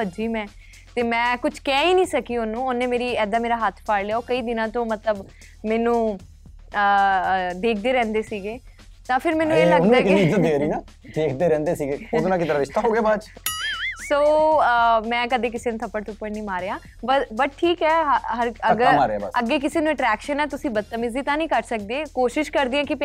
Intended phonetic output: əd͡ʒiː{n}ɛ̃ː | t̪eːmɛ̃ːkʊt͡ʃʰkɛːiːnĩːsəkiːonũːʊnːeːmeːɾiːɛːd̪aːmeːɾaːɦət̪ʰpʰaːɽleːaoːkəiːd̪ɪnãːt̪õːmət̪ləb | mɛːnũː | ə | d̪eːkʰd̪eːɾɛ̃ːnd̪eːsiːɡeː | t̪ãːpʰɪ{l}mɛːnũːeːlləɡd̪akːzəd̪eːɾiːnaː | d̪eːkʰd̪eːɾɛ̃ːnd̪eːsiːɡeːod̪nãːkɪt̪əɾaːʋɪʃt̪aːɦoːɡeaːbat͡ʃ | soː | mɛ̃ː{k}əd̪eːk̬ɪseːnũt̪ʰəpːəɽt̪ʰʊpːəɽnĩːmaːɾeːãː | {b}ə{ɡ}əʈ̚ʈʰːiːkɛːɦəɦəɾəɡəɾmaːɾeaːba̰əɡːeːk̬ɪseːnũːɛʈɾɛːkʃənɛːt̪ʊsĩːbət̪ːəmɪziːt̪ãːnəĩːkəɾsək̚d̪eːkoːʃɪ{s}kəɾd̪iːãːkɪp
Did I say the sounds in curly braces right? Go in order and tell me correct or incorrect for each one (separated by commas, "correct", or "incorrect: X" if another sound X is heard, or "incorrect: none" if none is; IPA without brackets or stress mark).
incorrect: m, incorrect: ɾ, correct, correct, incorrect: b, incorrect: ʃ